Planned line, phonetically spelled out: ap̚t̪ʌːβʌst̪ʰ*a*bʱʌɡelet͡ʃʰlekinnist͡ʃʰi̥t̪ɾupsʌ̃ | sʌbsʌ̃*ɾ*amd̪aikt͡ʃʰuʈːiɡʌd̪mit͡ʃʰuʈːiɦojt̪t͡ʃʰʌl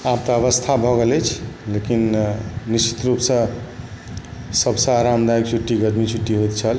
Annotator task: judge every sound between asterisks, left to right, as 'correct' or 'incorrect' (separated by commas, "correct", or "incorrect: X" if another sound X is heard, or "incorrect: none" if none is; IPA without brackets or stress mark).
correct, correct